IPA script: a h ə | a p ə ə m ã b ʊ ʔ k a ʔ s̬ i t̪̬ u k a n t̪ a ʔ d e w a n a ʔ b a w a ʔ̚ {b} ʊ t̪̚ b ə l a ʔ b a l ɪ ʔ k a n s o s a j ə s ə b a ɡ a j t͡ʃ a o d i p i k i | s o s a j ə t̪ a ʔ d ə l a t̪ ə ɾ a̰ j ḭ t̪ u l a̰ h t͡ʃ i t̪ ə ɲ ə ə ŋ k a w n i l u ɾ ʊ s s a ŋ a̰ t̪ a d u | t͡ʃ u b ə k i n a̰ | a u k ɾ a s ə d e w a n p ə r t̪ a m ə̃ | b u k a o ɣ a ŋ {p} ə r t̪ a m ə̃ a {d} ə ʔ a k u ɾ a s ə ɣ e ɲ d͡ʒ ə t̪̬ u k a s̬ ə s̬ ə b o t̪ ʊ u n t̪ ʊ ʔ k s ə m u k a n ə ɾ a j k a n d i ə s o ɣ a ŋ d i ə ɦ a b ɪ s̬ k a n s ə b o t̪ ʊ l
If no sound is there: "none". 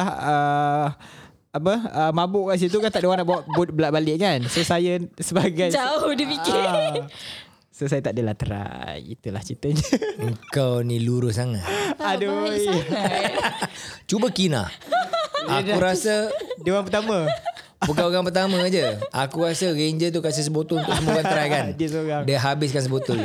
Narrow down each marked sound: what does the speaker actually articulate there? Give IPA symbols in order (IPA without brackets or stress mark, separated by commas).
b, p, d͡ʒ